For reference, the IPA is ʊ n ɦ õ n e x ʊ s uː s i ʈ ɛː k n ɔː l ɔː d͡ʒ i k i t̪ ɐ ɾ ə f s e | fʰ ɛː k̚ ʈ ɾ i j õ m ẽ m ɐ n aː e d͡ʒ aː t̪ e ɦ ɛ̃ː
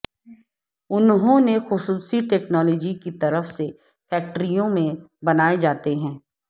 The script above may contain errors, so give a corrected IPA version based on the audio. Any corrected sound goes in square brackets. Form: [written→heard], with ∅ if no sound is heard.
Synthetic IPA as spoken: ʊ n ɦ õ n e x ʊ s uː s i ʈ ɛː k n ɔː l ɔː d͡ʒ i k i t̪ ɐ ɾ ə f s e | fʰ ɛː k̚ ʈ ɾ i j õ m ẽ [m→b] ɐ n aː e d͡ʒ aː t̪ e ɦ ɛ̃ː